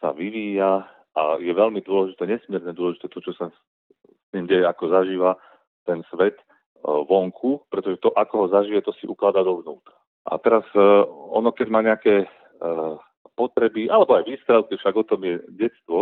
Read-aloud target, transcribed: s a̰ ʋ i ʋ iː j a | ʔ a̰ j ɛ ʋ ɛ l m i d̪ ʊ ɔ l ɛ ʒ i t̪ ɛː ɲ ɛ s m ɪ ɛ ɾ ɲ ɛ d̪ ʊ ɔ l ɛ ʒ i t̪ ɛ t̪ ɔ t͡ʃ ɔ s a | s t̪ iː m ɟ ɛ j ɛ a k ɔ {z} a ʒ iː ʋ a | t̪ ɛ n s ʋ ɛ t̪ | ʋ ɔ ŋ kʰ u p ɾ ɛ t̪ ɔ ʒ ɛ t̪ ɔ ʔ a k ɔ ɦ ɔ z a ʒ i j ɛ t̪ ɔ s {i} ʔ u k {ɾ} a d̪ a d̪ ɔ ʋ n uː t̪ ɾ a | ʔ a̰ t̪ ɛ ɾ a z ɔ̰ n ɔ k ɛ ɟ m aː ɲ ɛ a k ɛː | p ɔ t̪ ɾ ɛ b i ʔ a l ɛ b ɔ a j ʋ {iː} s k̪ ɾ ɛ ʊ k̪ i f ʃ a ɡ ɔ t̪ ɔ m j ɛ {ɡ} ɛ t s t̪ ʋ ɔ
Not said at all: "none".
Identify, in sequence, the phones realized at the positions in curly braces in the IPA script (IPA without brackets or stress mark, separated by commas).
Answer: z, i, l, iː, ɟ